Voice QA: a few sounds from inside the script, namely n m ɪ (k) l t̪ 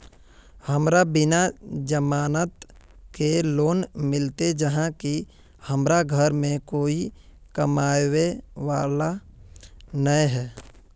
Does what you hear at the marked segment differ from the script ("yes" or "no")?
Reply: yes